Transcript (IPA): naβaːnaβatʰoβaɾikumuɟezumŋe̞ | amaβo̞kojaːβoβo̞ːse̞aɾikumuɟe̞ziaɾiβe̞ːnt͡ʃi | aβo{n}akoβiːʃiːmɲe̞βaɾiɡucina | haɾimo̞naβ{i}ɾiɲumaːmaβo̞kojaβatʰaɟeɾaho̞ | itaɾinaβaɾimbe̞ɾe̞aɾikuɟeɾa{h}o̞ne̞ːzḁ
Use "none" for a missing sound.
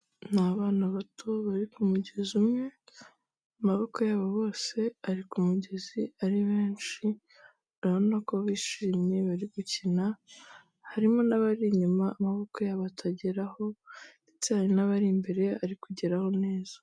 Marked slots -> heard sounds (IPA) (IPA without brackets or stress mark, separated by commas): n, a, h